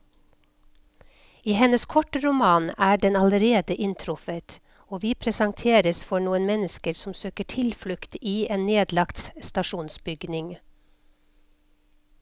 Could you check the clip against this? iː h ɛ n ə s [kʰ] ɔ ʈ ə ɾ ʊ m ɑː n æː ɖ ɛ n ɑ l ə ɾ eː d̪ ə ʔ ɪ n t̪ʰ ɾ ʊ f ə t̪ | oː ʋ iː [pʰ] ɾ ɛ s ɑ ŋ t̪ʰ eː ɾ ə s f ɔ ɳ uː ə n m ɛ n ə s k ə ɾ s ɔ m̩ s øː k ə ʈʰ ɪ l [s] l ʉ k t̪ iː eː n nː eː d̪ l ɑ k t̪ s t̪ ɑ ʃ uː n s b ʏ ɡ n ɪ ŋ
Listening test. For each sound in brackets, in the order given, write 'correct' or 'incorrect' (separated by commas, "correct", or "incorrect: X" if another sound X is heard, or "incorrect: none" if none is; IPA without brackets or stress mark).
correct, correct, incorrect: f